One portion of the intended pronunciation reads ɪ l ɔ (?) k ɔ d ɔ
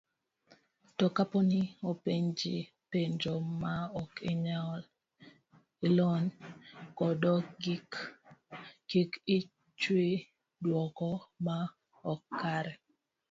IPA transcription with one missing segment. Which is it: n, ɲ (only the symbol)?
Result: n